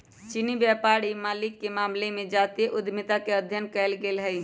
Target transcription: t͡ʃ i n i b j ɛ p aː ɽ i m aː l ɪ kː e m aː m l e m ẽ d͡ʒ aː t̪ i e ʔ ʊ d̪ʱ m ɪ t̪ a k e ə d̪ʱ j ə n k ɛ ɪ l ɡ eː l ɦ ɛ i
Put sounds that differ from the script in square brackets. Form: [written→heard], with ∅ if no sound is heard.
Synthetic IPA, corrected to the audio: t͡ʃ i n i b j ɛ p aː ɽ i m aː l ɪ kː e m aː m l e m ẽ d͡ʒ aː t̪ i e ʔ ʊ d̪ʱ m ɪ t̪ a k e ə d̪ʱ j ə n k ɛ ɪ l ɡ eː l ɦ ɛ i